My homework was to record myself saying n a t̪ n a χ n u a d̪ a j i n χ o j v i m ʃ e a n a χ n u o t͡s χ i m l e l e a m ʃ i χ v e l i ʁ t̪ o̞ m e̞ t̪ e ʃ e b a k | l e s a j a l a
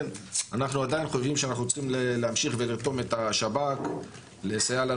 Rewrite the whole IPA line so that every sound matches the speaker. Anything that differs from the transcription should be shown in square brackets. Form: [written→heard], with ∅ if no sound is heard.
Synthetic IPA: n a [t̪→∅] n a χ n u a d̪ a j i n χ o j v i m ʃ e a n a χ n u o t͡s χ i m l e l e a m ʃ i χ v e l i ʁ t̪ o̞ m e̞ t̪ [e→a] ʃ [e→a] b a k | l e s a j a l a

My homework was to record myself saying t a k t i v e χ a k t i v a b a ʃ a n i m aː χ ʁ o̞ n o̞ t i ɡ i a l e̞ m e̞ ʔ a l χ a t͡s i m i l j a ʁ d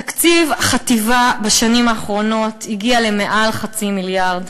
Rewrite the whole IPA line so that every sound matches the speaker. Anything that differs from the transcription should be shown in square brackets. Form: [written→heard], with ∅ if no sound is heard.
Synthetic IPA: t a k [t→t͡s] i v [e→a] χ a [k→∅] t i v a b a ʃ a n i m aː χ ʁ o̞ n o̞ t i ɡ i a l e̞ m e̞ ʔ a l χ a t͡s i m i l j a ʁ d

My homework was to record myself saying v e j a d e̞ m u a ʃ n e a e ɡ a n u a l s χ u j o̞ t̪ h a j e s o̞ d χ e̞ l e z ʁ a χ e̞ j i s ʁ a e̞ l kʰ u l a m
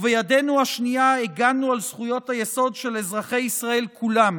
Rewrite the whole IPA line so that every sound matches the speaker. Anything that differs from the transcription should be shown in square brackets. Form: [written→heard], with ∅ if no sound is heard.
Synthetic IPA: v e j a d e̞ [m→n] u a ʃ n [e→i] a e ɡ a n u a l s χ u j o̞ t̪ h a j e s o̞ d [χ→ʃ] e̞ l e z ʁ a χ e̞ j i s ʁ a e̞ l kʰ u l a m

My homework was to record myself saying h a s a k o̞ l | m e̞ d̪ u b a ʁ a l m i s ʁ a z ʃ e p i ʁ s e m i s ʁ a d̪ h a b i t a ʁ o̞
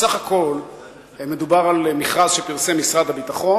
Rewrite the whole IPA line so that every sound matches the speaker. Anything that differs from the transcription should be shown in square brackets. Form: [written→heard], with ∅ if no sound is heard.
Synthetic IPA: [h→s] a [s→χ] a k o̞ l | m e̞ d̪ u b a ʁ a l m i [s→χ] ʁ a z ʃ e p i ʁ s e m i s ʁ a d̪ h a b i t a [ʁ→χ] o̞

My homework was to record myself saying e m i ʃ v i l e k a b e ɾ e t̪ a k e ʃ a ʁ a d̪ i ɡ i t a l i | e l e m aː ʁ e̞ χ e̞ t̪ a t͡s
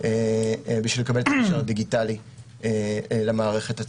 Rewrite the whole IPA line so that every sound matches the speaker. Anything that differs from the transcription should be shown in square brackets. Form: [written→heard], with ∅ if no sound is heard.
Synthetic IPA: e [m→b] i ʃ v i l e k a b e [ɾ→l] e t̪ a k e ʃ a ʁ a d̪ i ɡ i t a l i | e l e m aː ʁ e̞ χ e̞ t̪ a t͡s

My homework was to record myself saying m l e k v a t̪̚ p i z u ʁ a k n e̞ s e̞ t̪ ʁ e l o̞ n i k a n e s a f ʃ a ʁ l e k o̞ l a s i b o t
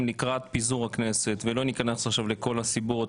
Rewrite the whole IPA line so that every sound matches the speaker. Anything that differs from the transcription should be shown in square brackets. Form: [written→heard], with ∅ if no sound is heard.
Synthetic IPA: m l [e→i] k [v→ʁ] a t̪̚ p i z u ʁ a k n e̞ s e̞ t̪ [ʁ→v] e l o̞ n i k a n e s a [f→χ] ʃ a [ʁ→v] l e k o̞ l a s i b o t

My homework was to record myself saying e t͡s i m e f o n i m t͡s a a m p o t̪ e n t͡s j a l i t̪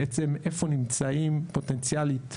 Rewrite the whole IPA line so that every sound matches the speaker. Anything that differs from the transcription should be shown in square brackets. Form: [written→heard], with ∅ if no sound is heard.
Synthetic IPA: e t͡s [i→e] m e f o n i m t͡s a [a→i] m p o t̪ e n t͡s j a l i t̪

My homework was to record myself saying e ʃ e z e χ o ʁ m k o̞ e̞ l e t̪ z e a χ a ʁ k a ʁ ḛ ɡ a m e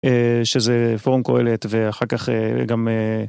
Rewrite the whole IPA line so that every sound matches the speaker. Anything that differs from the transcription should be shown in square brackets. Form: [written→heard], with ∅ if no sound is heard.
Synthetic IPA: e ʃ e z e [χ→f] o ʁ m k o̞ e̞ l e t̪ [z→v] e a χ a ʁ k a [ʁ→χ] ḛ ɡ a m e

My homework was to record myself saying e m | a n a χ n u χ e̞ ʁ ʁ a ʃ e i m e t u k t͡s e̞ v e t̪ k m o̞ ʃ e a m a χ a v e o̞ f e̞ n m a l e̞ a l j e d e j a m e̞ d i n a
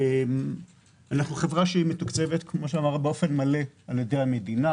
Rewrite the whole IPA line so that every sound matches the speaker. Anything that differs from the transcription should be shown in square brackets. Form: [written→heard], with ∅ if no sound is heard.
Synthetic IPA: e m | a n a χ n u χ e̞ [ʁ→v] ʁ a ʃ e i m e t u k t͡s e̞ v e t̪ k m o̞ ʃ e a m a [χ→ʁ] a [v→b] e o̞ f e̞ n m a l e̞ a l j e d e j a m e̞ d i n a

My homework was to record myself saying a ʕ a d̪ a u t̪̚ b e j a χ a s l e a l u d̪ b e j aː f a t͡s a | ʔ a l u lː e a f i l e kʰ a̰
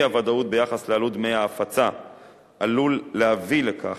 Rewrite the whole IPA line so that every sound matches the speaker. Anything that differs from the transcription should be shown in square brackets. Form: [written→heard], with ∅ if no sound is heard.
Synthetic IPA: a [ʕ→v] a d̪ a u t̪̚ b e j a χ a s l e a l u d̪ [b→m] e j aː f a t͡s a | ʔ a l u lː e a [f→v] i l e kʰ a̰

